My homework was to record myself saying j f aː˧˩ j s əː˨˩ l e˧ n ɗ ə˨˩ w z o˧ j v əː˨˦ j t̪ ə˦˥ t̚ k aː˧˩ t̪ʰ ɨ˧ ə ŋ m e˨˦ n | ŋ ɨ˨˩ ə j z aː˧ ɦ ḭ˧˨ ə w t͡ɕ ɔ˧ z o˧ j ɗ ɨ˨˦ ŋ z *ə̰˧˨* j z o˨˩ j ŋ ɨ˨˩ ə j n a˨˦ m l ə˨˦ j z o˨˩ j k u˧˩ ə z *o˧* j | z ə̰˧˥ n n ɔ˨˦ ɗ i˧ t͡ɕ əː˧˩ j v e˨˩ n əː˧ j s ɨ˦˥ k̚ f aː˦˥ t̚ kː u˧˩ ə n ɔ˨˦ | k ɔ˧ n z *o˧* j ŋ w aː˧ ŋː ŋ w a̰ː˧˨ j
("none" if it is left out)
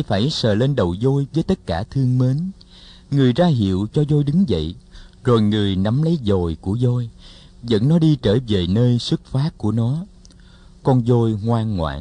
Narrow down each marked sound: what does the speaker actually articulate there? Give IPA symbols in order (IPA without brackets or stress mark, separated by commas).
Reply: ə̰˧˨, o˧, o˧